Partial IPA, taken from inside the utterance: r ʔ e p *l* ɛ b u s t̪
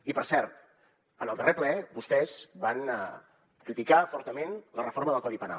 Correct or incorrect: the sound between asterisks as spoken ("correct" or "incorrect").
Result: correct